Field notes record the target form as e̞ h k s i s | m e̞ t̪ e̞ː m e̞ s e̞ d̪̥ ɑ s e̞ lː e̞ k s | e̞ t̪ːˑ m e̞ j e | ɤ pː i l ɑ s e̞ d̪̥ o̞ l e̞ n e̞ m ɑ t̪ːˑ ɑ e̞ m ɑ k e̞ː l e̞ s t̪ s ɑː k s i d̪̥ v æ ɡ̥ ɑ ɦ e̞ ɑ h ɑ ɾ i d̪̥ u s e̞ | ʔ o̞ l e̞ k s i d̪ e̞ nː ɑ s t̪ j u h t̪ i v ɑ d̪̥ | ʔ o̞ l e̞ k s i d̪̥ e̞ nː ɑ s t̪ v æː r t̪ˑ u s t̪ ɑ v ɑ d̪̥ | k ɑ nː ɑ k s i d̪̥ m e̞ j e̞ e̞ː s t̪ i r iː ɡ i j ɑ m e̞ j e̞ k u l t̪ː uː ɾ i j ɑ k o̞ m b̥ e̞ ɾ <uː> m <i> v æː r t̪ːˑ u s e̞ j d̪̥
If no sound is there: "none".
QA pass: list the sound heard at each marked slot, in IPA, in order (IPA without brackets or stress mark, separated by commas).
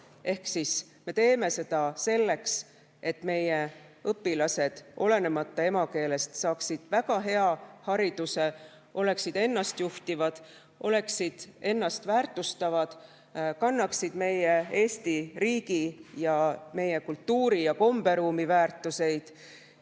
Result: uː, i